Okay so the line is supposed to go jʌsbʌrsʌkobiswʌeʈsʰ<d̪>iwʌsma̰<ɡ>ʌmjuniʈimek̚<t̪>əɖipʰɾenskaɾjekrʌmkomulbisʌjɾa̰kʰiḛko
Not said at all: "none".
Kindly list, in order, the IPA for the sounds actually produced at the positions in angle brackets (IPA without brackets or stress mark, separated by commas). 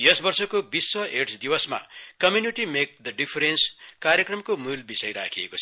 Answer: d̪, k, d̪